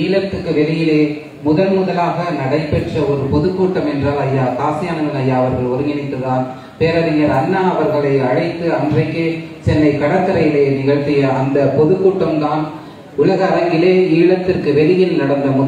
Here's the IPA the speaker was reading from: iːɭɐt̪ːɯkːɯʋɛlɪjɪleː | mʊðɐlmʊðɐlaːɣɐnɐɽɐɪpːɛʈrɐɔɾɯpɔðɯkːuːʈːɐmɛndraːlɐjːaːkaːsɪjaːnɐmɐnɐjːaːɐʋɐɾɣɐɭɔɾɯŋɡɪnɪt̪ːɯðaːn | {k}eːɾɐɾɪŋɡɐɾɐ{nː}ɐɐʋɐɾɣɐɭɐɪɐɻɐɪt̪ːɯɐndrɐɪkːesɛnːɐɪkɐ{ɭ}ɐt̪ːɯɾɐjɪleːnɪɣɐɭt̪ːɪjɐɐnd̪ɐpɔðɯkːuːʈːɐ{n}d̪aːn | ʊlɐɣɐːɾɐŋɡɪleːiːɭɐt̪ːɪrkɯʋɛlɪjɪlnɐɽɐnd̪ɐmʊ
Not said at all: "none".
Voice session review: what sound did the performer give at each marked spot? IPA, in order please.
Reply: p, nː, ɽ, m

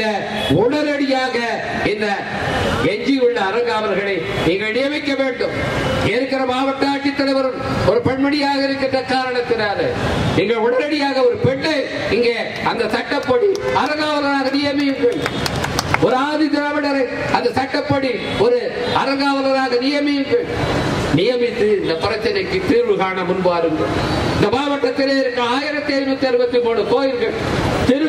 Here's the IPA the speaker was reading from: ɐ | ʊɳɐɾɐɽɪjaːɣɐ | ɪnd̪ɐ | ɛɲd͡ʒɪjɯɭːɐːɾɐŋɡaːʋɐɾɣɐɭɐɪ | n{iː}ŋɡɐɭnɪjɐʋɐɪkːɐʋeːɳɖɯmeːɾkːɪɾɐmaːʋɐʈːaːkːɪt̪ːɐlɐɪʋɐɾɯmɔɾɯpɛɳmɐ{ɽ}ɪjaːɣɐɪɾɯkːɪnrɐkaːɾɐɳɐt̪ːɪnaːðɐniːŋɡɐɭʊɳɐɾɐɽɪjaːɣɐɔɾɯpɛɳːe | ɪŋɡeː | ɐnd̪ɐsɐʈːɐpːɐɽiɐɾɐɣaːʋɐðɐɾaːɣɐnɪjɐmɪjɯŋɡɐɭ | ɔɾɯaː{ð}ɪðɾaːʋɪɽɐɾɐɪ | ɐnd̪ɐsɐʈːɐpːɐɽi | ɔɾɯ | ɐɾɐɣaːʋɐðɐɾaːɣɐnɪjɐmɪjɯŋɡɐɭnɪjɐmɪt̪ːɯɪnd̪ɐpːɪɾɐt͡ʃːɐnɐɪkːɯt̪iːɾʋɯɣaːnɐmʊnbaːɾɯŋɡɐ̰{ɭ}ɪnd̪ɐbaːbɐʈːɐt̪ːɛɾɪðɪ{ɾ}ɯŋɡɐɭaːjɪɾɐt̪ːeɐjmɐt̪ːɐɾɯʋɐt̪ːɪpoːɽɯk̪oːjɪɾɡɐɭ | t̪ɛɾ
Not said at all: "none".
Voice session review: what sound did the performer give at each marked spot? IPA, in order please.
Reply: iː, ɽ, ð, ɭ, ɾ

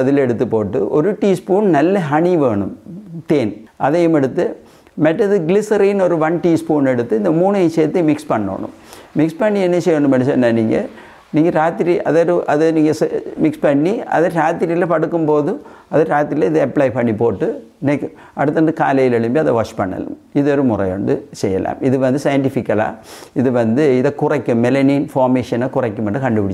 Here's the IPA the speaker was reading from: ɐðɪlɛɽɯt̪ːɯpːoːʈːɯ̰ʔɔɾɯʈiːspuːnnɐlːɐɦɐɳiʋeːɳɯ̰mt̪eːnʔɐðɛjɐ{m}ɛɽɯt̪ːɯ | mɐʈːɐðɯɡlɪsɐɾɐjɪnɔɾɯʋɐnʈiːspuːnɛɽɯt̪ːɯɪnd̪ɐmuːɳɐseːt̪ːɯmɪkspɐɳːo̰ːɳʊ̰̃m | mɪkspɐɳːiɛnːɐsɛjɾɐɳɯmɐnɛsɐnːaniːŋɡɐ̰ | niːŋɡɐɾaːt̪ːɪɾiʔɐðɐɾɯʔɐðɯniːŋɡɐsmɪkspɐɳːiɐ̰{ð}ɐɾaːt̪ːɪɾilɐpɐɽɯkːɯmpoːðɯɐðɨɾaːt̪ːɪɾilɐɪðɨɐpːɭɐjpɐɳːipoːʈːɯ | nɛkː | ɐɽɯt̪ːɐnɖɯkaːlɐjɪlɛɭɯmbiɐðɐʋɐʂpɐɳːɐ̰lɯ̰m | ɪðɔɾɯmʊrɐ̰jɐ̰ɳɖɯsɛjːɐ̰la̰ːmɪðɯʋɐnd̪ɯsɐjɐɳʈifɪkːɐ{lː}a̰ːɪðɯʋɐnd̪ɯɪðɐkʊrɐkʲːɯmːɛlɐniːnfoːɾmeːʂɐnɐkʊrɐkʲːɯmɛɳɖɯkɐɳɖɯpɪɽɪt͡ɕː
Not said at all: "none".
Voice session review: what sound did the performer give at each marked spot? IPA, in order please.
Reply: m, ð, l

